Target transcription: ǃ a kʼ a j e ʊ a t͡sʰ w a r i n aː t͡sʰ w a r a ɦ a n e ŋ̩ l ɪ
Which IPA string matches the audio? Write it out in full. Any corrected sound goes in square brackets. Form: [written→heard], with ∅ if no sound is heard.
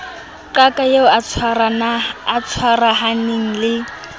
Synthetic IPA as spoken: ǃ a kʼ a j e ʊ a t͡sʰ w a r [i→a] n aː t͡sʰ w a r a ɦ a n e ŋ̩ l ɪ